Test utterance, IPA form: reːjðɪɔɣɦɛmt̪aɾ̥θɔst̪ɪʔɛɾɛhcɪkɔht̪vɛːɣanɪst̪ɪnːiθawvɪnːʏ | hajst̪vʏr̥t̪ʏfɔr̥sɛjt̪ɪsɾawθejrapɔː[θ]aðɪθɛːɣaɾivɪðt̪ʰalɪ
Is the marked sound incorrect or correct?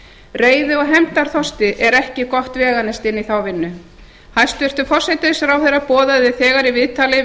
incorrect